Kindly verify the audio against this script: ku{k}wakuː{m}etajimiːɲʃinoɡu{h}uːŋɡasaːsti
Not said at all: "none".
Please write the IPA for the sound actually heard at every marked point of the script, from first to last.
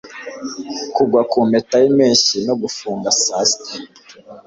ɡ, m, f

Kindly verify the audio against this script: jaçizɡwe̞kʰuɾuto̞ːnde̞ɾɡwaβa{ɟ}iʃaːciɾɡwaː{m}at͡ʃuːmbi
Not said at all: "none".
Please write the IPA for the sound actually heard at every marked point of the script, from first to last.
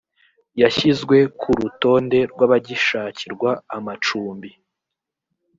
ɟ, m

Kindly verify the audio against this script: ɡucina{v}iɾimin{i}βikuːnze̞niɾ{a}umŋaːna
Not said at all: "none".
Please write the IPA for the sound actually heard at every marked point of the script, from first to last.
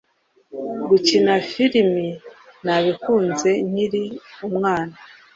f, a, i

